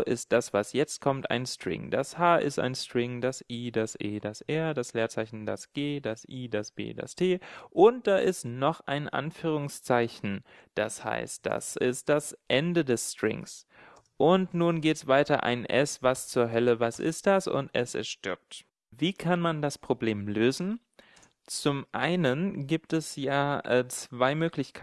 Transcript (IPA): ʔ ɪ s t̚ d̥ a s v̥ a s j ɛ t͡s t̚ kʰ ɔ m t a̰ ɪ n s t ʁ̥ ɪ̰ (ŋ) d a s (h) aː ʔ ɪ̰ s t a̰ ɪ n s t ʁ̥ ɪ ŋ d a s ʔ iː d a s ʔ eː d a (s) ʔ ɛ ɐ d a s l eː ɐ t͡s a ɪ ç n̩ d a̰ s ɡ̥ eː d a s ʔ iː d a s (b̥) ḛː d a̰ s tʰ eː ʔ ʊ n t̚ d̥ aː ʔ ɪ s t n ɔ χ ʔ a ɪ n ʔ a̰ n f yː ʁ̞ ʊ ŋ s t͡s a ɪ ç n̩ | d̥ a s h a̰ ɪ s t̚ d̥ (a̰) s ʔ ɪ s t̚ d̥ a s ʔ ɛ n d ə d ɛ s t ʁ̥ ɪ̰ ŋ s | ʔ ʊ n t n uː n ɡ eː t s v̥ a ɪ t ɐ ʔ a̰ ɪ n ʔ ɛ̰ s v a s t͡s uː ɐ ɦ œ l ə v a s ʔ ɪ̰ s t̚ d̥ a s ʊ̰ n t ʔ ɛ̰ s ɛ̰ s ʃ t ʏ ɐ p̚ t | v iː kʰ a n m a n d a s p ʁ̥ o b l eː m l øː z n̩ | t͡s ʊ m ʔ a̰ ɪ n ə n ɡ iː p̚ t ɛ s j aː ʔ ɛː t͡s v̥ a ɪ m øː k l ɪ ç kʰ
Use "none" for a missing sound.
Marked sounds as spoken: ŋ, h, s, b̥, a̰

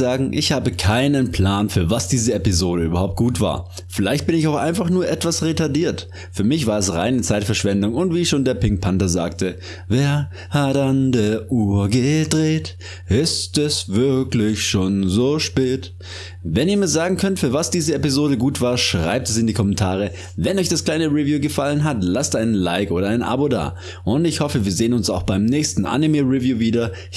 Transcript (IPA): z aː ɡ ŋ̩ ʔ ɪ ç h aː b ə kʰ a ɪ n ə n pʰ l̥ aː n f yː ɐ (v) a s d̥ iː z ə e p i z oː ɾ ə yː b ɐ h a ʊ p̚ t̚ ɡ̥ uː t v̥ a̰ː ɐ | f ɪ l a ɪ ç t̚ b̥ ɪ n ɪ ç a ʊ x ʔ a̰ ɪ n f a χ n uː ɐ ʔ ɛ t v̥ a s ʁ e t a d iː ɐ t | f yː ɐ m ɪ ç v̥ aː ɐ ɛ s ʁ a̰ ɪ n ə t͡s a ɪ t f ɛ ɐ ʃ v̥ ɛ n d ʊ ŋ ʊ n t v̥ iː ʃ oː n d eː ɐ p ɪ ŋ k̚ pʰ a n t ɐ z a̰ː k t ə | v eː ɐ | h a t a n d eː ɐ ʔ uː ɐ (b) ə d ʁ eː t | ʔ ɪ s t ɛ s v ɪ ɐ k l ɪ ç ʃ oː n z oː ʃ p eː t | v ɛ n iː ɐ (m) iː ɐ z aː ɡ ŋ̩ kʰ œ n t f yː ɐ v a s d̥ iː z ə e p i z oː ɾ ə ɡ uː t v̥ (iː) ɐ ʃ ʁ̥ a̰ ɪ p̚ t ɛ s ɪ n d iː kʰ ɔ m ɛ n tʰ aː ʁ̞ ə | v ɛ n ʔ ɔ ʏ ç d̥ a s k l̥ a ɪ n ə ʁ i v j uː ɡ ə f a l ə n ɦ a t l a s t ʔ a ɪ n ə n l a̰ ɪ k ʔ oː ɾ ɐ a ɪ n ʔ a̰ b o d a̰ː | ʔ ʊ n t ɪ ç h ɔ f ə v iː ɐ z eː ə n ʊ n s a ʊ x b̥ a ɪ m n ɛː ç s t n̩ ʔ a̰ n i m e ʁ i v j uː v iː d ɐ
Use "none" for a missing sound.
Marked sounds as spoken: v, ɡ, m, aː

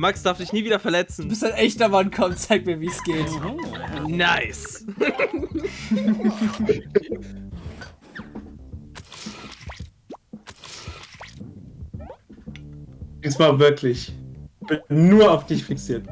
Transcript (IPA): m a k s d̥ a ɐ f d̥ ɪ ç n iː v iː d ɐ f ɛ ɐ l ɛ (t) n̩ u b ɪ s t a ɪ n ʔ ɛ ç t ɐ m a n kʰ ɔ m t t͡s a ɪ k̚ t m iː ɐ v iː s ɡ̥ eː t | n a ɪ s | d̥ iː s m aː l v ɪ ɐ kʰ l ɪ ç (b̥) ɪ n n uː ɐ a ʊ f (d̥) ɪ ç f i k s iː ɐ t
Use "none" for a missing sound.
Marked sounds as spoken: t͡s, b̥, d̥

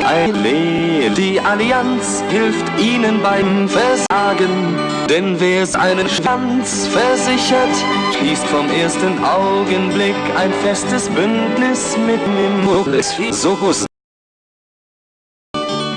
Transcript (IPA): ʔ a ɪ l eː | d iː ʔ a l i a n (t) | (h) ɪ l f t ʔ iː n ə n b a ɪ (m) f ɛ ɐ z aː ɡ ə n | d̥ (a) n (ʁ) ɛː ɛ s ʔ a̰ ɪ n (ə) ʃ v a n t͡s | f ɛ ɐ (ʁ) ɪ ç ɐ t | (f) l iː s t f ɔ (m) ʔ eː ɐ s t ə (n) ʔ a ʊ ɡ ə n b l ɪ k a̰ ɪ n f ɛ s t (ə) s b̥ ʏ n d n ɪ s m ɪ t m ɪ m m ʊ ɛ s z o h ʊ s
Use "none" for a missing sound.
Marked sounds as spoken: t͡s, h, m, ɛ, v, ə, z, ʃ, m, n, ə

